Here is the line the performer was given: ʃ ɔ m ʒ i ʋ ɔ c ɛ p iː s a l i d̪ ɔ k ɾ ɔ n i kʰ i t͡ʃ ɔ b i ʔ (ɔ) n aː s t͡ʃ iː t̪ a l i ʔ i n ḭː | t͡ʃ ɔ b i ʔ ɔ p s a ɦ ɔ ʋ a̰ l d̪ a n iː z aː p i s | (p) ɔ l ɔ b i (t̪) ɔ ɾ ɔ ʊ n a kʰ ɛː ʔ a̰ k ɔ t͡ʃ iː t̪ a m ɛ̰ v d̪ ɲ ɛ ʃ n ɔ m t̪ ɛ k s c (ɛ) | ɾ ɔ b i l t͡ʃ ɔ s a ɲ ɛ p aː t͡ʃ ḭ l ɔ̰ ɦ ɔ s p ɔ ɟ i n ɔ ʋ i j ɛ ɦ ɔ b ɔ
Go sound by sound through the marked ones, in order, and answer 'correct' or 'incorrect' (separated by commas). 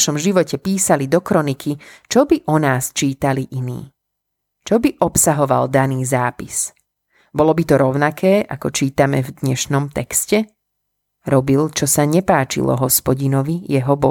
correct, incorrect, correct, correct